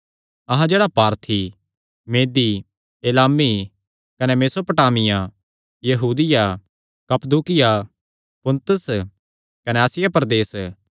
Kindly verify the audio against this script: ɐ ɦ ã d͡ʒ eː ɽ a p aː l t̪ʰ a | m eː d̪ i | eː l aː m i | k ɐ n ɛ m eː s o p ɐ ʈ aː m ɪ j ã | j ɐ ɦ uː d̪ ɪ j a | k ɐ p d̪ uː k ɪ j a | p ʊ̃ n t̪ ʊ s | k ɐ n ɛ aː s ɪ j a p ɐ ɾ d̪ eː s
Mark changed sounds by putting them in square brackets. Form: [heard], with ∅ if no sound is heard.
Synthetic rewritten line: ɐ ɦ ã d͡ʒ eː ɽ a p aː [ɾ] t̪ʰ [i] | m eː d̪ i | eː l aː m i | k ɐ n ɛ m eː s o p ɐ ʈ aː m ɪ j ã | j ɐ ɦ uː d̪ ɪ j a | k ɐ p d̪ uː k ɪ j a | p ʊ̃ n t̪ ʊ s | k ɐ n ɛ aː s ɪ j a p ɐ ɾ d̪ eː s

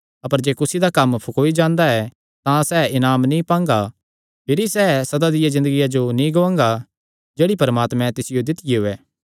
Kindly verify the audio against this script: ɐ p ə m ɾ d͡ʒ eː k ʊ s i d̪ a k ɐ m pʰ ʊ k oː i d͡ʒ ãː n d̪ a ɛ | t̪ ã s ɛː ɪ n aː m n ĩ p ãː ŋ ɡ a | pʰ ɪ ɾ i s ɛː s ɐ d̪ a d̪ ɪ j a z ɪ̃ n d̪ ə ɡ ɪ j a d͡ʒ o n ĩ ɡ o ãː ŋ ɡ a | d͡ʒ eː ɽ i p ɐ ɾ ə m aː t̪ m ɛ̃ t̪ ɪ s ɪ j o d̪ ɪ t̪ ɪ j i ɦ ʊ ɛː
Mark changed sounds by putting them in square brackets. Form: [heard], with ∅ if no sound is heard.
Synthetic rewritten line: ɐ p ə [∅] ɾ d͡ʒ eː k ʊ s i d̪ a k ɐ m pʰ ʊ k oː i d͡ʒ ãː n d̪ a ɛ | t̪ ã s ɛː ɪ n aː m n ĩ p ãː ŋ ɡ a | pʰ ɪ ɾ i s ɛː s ɐ d̪ a d̪ ɪ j a z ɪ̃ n d̪ ə ɡ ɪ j a d͡ʒ o n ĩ ɡ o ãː ŋ ɡ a | d͡ʒ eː ɽ i p ɐ ɾ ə m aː t̪ m ɛ̃ t̪ ɪ s ɪ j o d̪ ɪ t̪ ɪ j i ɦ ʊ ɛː

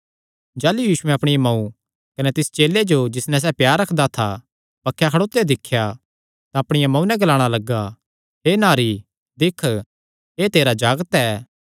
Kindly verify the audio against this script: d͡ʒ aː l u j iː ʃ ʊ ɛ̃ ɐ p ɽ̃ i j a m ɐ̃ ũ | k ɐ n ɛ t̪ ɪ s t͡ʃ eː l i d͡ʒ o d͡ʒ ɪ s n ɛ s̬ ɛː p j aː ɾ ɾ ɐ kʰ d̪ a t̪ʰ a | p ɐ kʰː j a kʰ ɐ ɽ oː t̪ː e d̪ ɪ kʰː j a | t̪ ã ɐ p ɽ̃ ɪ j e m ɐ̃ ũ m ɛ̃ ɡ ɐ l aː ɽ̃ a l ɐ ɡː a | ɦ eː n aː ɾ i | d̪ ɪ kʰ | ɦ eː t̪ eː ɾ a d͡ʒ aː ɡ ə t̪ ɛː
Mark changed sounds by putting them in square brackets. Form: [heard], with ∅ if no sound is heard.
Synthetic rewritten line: d͡ʒ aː l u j iː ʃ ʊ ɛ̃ ɐ p ɽ̃ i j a m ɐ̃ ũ | k ɐ n ɛ t̪ ɪ s t͡ʃ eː l [e] d͡ʒ o d͡ʒ ɪ s n ɛ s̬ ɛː p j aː ɾ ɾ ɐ kʰ d̪ a t̪ʰ a | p ɐ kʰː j a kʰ ɐ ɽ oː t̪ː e d̪ ɪ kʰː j a | t̪ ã ɐ p ɽ̃ ɪ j [a] m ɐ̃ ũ [n] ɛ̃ ɡ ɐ l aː ɽ̃ a l ɐ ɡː a | ɦ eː n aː ɾ i | d̪ ɪ kʰ | ɦ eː t̪ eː ɾ a d͡ʒ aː ɡ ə t̪ ɛː

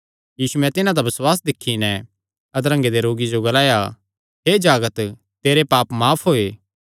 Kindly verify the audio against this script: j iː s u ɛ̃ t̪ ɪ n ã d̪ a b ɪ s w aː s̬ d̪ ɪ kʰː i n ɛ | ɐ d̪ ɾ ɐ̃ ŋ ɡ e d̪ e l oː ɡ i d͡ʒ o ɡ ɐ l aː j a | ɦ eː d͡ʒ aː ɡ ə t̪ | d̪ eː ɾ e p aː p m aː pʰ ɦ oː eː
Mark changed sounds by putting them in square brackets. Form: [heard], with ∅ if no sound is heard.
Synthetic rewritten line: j iː s u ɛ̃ t̪ ɪ n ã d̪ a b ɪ s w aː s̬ d̪ ɪ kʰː i n ɛ | ɐ d̪ ɾ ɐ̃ ŋ ɡ e d̪ e [ɾ] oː ɡ i d͡ʒ o ɡ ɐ l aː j a | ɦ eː d͡ʒ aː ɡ ə t̪ | [t̪] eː ɾ e p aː p m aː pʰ ɦ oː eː

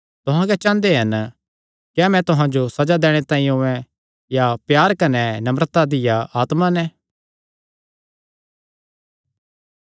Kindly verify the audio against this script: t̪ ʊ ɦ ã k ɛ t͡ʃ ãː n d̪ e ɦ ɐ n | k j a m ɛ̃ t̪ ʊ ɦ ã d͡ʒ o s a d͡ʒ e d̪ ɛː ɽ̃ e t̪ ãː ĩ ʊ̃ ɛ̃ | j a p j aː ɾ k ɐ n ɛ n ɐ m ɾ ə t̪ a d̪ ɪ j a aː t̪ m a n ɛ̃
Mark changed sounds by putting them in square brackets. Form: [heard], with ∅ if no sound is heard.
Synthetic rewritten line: t̪ ʊ ɦ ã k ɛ t͡ʃ ãː n d̪ e ɦ ɐ n | k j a m ɛ̃ t̪ ʊ ɦ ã d͡ʒ o s [ɐ] d͡ʒ [a] d̪ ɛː ɽ̃ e t̪ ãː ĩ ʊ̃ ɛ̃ | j a p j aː ɾ k ɐ n ɛ n ɐ m ɾ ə t̪ a d̪ ɪ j a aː t̪ m a n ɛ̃

